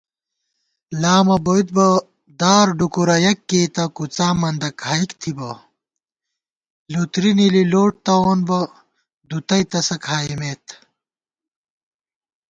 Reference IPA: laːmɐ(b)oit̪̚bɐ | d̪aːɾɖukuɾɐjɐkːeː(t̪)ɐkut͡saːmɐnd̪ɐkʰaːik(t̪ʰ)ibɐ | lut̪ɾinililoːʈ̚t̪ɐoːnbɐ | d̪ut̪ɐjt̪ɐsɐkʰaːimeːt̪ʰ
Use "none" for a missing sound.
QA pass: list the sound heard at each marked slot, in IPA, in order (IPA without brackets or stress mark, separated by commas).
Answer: b, t̪, t̪ʰ